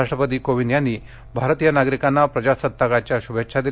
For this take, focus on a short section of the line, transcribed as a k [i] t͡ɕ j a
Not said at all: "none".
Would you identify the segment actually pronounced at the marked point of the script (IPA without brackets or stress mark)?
a